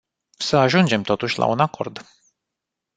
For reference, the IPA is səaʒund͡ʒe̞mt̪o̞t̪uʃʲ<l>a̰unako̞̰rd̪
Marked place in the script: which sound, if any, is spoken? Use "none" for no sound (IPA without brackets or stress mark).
l